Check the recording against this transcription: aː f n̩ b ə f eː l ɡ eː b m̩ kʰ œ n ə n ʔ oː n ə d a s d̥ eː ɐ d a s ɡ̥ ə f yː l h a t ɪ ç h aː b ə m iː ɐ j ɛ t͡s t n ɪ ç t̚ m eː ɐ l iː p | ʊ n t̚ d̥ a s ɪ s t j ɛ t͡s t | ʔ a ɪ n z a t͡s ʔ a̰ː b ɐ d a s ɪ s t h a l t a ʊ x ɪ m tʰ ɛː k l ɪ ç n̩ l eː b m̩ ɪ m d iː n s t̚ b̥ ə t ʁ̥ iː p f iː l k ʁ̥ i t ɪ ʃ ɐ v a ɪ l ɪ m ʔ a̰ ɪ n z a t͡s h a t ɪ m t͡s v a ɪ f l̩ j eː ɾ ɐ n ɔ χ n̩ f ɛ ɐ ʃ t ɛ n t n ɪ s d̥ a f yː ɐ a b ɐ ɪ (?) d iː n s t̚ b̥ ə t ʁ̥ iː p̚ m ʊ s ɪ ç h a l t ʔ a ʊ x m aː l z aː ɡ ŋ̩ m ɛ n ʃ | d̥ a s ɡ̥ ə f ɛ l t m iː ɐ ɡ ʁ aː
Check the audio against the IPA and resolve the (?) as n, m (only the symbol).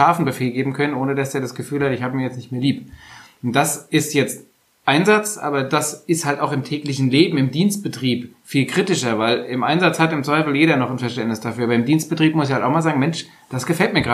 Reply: m